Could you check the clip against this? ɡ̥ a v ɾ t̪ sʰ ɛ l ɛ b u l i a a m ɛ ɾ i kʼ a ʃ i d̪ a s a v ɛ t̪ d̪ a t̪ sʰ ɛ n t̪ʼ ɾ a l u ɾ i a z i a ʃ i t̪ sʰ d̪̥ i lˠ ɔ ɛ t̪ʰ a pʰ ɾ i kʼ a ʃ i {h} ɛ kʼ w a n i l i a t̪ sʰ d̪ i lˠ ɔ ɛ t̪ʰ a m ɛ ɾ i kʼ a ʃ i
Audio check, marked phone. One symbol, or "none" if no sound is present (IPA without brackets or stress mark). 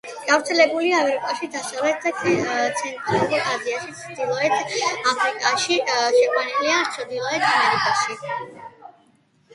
ʃ